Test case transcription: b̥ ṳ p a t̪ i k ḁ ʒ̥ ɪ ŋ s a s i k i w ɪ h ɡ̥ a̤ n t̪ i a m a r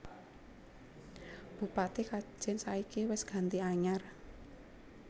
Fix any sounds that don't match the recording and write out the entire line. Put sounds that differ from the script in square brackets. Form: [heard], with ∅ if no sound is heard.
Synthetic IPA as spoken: b̥ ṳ p a t̪ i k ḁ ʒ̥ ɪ [n] s a [∅] i k i w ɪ [s] ɡ̥ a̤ n t̪ i a [ɲ] a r